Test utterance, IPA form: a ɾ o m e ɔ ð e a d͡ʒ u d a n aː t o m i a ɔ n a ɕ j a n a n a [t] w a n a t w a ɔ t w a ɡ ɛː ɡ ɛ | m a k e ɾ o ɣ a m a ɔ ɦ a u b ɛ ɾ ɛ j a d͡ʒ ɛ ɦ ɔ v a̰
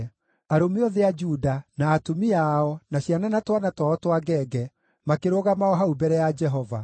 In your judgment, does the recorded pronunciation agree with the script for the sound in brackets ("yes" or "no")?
yes